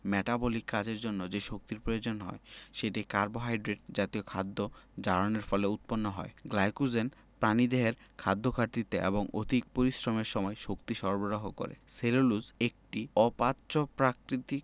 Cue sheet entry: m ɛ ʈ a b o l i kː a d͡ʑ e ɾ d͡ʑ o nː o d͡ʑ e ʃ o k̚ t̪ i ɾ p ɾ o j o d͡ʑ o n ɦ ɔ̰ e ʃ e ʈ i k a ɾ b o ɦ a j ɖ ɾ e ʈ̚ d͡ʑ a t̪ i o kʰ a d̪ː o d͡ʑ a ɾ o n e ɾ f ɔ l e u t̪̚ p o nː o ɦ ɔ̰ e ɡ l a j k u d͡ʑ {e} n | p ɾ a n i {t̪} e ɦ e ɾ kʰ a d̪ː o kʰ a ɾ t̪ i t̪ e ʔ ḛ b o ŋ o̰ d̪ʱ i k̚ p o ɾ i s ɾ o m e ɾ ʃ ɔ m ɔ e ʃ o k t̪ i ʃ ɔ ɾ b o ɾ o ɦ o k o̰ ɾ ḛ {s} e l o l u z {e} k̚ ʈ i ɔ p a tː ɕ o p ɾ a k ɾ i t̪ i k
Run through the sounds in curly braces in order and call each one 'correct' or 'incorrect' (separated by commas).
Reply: correct, incorrect, correct, correct